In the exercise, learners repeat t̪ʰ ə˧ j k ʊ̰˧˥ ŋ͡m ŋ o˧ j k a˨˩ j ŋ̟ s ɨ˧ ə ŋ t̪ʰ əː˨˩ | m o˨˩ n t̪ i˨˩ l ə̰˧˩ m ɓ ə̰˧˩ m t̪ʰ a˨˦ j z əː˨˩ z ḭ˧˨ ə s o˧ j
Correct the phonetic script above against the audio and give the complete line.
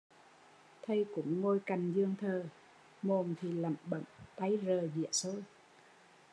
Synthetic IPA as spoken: t̪ʰ ə˧ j k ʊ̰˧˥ ŋ͡m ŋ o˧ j k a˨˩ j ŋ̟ z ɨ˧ ə ŋ t̪ʰ əː˨˩ | m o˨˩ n t̪ʰ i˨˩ l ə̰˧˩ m ɓ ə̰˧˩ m t̪ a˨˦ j z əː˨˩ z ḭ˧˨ ə s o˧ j